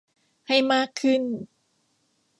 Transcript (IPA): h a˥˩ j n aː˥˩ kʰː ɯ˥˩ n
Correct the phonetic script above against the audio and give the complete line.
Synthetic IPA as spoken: h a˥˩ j m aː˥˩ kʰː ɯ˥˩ n